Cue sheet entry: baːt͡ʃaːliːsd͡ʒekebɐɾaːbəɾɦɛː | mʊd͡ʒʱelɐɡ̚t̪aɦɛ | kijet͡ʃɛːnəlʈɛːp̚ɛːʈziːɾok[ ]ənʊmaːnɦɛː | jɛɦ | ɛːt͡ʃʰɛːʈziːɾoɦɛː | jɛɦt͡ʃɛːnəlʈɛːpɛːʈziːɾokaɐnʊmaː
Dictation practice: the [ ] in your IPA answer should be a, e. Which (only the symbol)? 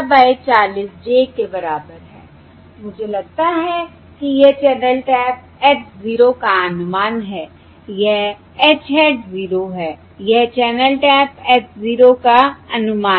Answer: a